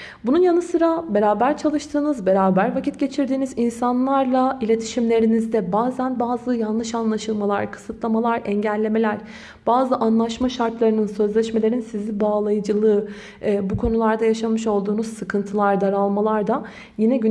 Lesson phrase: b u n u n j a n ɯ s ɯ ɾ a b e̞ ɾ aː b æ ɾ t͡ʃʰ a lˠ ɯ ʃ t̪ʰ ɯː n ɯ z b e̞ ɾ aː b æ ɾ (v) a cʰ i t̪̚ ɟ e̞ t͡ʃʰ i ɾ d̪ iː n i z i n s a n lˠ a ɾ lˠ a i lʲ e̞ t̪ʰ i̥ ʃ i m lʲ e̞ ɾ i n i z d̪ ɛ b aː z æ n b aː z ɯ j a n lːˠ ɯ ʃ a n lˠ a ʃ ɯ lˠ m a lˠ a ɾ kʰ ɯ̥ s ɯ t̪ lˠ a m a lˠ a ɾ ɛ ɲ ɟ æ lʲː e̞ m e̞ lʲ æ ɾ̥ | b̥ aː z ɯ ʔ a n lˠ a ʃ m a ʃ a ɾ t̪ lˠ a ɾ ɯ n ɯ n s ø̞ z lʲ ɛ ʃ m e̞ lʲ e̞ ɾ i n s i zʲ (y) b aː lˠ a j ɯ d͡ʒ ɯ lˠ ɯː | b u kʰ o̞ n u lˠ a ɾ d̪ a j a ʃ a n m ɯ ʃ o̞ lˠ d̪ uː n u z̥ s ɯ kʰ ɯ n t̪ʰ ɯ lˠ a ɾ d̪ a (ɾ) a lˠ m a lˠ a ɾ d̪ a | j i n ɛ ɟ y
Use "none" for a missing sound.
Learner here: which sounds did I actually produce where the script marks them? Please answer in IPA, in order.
v, i, ɾ

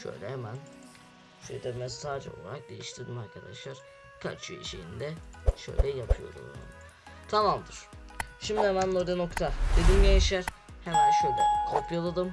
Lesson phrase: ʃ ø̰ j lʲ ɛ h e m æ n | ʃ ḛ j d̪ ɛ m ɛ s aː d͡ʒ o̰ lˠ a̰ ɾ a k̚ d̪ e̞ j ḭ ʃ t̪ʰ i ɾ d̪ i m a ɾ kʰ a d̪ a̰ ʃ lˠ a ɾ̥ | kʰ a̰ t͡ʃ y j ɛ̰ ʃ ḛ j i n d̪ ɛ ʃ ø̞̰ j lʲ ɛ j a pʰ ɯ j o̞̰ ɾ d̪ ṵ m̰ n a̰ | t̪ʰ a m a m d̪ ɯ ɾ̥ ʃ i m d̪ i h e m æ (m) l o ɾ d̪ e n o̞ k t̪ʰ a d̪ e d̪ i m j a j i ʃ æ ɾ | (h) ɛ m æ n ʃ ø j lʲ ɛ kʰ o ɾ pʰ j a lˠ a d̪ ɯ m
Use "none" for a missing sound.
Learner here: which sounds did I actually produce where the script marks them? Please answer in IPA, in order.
n, h

